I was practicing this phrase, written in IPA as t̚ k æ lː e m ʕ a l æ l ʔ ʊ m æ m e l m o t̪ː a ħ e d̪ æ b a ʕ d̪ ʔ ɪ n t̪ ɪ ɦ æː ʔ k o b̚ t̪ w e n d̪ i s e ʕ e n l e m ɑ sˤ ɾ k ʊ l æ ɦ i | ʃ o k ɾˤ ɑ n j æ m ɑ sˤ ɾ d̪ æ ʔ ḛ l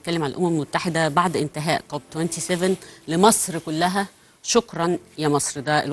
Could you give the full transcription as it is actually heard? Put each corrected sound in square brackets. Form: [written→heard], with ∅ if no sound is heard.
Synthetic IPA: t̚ k æ lː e m ʕ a l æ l ʔ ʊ m æ m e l m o t̪ː a ħ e d̪ æ b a ʕ d̪ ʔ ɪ n t̪ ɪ ɦ æː ʔ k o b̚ t̪ w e n [d̪→t̪] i s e [ʕ→v] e n l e m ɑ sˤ ɾ k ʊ [l→lː] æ ɦ [i→æ] | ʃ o k ɾˤ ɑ n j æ m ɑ sˤ ɾ d̪ æ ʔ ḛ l